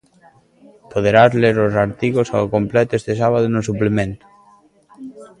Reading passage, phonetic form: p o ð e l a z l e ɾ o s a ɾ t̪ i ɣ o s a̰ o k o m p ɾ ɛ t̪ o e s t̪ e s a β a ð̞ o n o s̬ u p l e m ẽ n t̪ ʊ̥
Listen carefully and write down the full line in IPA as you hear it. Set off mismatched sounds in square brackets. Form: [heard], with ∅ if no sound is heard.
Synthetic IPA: p o ð e [ɾ] a z l e ɾ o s a ɾ t̪ i ɣ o s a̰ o k o m p [l] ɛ t̪ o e s t̪ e s a β a ð̞ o n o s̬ u p l e m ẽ n t̪ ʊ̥